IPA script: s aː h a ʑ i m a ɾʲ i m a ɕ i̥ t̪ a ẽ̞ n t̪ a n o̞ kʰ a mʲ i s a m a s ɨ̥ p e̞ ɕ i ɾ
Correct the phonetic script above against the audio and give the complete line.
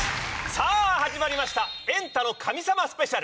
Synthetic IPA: s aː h a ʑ i m a ɾʲ i m a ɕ i̥ t̪ a ẽ̞ n t̪ a n o̞ kʰ a mʲ i s a m a s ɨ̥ p e̞ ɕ a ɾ

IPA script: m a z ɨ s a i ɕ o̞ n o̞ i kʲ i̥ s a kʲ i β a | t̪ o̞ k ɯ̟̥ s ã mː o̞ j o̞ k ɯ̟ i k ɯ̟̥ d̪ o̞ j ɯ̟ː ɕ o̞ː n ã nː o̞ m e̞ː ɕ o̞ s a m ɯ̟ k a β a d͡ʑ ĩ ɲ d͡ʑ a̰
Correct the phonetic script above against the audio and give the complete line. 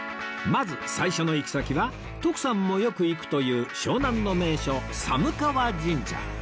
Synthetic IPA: m a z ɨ s a i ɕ o̞ n o̞ i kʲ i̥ s a kʲ i β a | t̪ o̞ k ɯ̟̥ s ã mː o̞ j o̞ k ɯ̟ i k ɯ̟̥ t̪ o̞ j ɯ̟ː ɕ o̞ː n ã nː o̞ m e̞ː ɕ o̞ s a m ɯ̟ k a β a d͡ʑ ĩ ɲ d͡ʑ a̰

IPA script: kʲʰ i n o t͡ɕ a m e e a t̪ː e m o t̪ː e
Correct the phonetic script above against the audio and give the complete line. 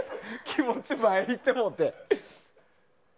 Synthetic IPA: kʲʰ i m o t͡ɕ i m a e i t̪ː e m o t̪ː e

